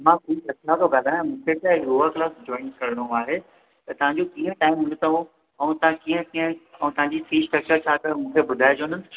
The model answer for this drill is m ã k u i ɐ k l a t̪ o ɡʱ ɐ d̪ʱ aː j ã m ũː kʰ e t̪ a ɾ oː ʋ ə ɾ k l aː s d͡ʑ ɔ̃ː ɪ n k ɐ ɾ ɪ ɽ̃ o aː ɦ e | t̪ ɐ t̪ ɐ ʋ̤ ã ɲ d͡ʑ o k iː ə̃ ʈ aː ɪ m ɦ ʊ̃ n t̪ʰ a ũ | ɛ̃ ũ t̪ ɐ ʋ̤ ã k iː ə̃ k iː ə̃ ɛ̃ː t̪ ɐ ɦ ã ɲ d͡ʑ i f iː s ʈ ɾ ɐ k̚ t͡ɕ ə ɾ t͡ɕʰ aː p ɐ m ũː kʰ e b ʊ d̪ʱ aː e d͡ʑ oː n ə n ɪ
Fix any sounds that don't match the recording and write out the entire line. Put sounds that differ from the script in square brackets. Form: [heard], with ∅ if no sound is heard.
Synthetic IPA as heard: m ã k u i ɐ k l a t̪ o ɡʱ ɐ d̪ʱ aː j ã m ũː kʰ e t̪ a ɾ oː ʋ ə ɾ k l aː s d͡ʑ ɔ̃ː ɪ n k ɐ ɾ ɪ ɽ̃ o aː ɦ e | t̪ ɐ t̪ ɐ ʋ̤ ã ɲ d͡ʑ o k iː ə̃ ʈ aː ɪ m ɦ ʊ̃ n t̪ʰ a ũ | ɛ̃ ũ t̪ ɐ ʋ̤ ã k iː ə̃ k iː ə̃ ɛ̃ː t̪ ɐ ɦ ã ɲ d͡ʑ i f iː s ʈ ɾ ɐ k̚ t͡ɕ ə ɾ t͡ɕʰ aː [k] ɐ m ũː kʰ e b ʊ d̪ʱ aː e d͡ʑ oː n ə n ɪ